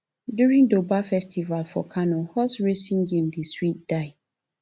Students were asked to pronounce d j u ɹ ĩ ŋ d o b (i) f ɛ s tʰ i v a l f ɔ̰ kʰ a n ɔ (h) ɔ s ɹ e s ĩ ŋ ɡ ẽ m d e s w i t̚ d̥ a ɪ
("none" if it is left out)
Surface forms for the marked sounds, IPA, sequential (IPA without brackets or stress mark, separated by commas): a, h